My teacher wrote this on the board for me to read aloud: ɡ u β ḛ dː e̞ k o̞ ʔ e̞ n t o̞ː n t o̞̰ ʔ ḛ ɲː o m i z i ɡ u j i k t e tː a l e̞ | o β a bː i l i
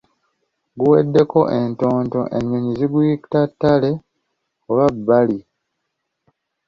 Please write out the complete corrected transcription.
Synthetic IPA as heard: ɡ u w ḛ dː e̞ k o̞ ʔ e̞ n t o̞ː n t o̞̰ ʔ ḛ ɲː o ɲ i z i ɡ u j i k t a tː a l e̞ | o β a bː a l i